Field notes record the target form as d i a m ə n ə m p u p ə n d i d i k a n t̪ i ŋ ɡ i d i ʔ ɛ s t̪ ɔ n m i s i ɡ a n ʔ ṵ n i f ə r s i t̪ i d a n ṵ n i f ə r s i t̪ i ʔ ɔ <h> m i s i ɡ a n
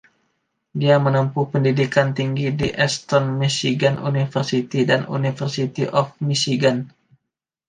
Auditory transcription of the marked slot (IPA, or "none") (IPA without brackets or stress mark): f